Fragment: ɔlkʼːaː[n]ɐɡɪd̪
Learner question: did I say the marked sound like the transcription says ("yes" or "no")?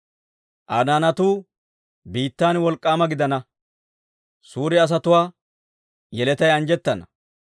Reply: no